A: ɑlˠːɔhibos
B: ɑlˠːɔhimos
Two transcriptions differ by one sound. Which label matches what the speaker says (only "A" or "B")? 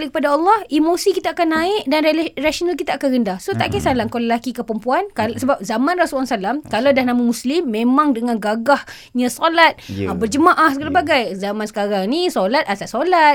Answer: B